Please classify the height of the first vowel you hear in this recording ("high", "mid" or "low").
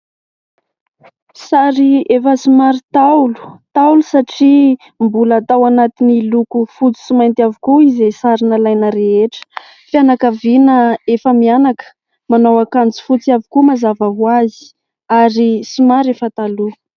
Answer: low